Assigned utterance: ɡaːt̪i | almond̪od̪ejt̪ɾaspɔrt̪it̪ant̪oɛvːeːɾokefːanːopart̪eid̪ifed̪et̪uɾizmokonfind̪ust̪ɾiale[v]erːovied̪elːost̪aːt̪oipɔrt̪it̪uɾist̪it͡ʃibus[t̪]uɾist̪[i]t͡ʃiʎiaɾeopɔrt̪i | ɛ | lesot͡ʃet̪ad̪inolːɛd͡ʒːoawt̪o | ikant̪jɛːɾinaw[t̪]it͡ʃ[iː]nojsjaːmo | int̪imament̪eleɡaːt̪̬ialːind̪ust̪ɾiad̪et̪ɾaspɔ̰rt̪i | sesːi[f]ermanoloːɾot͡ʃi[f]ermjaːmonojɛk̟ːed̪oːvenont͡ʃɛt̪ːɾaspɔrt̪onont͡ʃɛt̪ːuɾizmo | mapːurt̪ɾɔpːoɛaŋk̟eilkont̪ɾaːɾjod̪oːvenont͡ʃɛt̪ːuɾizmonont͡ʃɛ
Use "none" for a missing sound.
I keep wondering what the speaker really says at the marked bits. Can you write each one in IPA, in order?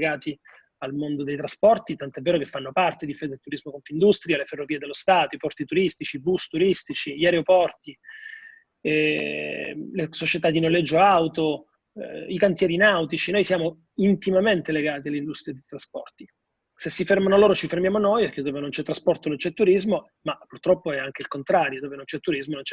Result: f, t̪, i, t̪, i, f, f

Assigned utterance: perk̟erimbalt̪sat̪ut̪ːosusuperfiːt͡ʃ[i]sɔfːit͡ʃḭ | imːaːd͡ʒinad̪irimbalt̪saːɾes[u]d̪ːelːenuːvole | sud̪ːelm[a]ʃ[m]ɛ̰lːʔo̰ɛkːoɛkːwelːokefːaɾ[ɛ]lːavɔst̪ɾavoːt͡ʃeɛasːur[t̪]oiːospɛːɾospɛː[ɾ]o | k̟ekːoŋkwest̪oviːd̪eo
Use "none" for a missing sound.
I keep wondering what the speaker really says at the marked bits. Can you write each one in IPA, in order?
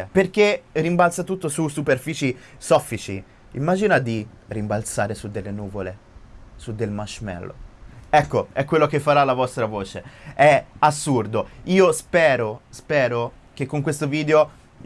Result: i, u, a, m, a, d̪, ɾ

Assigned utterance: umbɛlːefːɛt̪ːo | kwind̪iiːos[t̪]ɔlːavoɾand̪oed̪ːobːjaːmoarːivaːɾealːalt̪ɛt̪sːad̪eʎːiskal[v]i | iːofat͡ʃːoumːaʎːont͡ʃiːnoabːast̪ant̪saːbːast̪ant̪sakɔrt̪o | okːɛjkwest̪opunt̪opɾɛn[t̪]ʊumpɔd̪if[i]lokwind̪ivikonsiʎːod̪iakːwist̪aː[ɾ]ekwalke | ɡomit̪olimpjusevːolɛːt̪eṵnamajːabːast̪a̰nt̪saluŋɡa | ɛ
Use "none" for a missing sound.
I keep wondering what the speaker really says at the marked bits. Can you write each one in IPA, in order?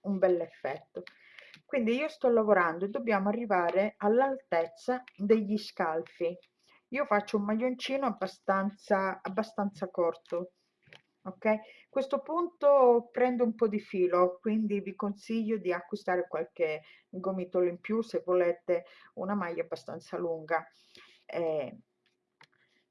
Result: t̪, f, d̪, iː, ɾ

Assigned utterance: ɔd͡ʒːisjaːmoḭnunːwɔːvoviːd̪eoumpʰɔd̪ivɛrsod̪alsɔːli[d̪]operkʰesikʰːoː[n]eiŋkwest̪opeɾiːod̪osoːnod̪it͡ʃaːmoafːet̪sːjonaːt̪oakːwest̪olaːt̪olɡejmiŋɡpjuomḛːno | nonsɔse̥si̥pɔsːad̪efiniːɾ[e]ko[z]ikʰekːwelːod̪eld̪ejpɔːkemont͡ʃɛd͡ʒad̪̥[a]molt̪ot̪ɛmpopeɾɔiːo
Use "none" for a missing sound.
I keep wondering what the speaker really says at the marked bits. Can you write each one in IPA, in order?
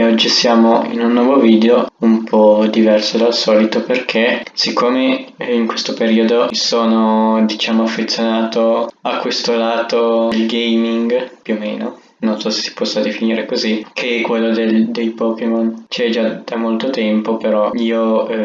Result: t̪, m, e, z, a

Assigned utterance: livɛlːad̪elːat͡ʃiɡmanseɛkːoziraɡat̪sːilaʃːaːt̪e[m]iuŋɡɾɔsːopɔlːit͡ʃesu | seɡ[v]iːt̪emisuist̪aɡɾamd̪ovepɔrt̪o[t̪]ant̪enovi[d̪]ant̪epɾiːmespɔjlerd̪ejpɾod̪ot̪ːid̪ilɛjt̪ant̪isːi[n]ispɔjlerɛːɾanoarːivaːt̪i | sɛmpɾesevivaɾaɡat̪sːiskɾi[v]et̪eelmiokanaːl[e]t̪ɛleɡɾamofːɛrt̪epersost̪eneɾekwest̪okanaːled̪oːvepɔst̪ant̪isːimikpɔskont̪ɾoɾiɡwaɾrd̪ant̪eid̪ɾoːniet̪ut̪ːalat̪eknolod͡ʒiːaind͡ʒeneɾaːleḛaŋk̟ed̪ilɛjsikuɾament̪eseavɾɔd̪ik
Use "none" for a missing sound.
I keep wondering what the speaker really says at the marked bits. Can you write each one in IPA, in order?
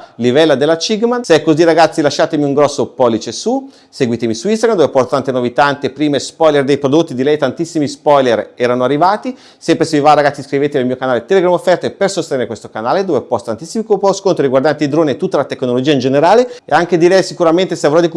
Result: m, w, t̪, t̪, m, v, e

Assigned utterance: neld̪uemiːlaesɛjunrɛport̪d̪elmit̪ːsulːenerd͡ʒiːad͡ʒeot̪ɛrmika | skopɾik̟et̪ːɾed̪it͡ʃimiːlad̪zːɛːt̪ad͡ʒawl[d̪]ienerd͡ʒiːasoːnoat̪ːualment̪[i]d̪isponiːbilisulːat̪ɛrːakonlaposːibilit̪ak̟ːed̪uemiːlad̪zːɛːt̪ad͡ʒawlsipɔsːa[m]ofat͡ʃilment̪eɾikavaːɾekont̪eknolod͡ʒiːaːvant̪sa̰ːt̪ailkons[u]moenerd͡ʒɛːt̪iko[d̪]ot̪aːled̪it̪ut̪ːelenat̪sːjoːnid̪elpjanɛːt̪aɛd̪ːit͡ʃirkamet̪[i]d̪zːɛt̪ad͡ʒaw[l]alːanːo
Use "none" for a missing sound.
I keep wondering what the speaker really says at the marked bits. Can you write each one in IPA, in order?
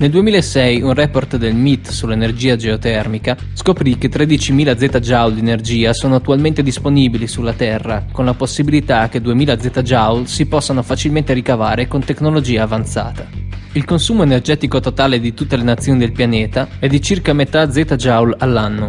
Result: d̪, e, n, uː, t̪, a, l

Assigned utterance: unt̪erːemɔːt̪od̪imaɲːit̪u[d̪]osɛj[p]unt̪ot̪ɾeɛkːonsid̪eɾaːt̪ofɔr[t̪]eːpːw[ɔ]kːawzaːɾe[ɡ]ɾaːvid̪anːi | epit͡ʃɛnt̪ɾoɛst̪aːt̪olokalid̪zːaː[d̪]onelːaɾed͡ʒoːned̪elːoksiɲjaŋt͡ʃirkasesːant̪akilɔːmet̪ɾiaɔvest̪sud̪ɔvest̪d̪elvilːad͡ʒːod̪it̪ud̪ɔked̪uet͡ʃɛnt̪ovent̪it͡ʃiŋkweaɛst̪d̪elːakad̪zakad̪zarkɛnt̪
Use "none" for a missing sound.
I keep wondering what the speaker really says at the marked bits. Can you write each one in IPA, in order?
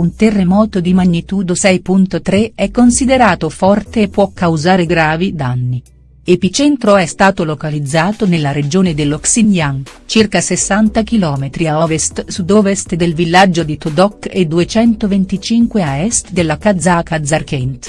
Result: d̪, p, t̪, ɔ, ɡ, t̪

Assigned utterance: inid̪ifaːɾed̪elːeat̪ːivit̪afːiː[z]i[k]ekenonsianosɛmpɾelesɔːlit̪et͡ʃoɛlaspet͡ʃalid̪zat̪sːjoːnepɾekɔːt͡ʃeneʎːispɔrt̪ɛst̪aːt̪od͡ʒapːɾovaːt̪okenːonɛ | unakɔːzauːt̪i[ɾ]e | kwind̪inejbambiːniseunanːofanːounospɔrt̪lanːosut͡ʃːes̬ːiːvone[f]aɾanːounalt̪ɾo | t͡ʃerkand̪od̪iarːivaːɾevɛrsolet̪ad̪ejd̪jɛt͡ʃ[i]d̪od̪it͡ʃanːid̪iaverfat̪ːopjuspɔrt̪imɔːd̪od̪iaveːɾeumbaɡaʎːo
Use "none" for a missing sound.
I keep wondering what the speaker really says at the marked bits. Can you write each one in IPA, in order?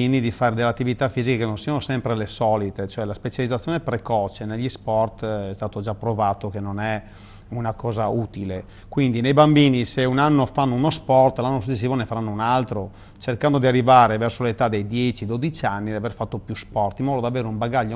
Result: z, k, l, f, i

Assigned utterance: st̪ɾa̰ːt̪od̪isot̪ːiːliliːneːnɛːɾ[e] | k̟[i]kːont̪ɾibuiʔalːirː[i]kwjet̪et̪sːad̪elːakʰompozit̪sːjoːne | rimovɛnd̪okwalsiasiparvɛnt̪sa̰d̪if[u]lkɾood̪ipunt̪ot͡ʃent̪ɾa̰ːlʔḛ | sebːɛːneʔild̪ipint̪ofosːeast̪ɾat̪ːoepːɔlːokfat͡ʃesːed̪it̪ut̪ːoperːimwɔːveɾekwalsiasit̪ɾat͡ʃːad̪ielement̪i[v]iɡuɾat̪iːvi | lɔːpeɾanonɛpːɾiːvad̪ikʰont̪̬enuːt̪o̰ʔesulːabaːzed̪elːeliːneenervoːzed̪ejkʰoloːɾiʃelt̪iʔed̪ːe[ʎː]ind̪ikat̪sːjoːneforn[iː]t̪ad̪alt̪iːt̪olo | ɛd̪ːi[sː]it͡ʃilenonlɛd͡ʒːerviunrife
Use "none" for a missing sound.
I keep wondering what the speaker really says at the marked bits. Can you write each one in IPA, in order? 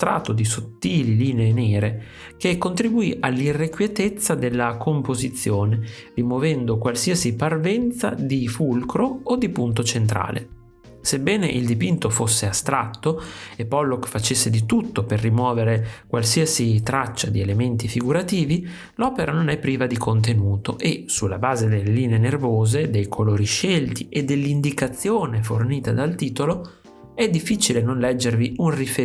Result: e, e, e, u, f, lː, iː, fː

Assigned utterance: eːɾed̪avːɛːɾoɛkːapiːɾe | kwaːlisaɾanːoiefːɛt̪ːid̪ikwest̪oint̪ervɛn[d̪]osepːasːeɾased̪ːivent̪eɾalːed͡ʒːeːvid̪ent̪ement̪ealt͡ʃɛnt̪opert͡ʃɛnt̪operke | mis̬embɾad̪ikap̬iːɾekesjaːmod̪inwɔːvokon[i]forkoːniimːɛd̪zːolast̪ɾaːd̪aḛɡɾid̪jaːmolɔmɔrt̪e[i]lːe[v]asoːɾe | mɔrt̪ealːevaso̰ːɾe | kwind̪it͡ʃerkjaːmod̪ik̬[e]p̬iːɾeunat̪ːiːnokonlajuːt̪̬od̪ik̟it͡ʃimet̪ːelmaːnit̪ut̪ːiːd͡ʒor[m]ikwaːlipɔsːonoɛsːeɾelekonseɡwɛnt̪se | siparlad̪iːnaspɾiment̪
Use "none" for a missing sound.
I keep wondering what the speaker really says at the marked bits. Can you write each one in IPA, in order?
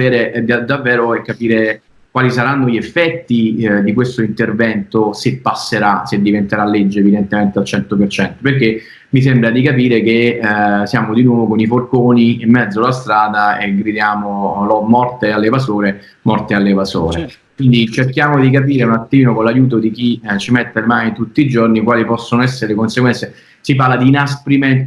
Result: t̪, i, a, v, a, n

